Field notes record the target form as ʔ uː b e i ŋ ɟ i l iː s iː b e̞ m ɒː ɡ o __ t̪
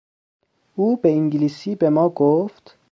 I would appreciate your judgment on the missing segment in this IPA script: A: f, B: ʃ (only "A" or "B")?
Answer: A